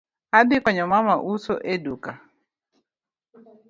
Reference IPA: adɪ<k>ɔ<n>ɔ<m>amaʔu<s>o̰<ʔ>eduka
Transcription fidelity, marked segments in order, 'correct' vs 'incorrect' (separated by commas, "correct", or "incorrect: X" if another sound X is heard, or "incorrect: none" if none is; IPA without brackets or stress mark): correct, incorrect: ɲ, correct, correct, correct